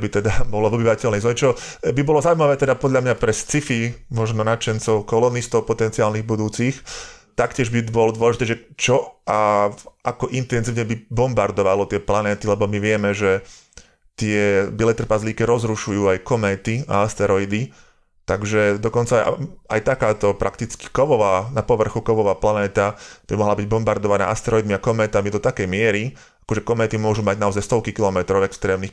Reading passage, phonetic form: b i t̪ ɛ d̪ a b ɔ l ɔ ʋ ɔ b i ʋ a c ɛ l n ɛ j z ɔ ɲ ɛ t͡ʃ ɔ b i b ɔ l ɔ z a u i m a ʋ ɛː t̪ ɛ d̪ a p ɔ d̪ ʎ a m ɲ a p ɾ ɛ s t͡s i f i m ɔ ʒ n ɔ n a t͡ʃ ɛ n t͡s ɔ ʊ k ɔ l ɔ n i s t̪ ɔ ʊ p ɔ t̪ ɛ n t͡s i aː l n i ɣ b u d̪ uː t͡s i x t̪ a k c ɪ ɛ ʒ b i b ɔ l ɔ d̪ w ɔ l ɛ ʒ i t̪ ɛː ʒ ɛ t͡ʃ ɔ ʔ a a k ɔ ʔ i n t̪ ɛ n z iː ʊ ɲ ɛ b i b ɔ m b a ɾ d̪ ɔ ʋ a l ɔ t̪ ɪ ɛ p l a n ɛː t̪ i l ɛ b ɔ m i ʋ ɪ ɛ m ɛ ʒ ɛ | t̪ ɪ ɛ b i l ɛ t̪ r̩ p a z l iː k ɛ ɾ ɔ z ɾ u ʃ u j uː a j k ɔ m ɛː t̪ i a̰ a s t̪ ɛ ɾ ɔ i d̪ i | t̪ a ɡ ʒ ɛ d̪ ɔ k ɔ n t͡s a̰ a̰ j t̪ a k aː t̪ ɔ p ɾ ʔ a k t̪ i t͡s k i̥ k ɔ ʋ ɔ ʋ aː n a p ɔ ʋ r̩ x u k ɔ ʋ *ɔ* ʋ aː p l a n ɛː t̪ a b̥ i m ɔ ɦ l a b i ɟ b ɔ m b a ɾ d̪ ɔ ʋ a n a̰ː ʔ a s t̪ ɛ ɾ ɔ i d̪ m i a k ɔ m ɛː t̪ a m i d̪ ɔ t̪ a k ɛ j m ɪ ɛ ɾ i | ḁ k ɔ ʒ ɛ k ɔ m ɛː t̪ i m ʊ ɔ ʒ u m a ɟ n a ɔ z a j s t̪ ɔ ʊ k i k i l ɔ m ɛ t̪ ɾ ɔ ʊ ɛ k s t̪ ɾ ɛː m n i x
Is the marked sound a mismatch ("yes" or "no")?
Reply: no